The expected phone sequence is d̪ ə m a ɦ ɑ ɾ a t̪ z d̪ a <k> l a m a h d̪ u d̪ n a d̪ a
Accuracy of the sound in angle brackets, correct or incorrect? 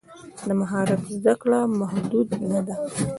correct